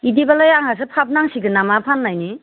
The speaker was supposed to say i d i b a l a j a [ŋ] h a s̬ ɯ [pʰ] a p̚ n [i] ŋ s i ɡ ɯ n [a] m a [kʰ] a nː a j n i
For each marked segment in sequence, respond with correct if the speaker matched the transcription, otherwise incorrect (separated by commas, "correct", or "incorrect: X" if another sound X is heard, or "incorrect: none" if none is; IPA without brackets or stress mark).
correct, correct, incorrect: a, correct, incorrect: pʰ